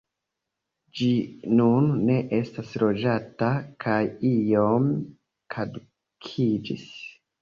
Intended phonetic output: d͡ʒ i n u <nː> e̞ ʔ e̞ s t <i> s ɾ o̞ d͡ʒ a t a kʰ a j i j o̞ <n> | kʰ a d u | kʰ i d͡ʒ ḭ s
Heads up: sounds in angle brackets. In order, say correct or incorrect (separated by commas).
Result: correct, incorrect, incorrect